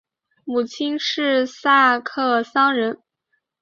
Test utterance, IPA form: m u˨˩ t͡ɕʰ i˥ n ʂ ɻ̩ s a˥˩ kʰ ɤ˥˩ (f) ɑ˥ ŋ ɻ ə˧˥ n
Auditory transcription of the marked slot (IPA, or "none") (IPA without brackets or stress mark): s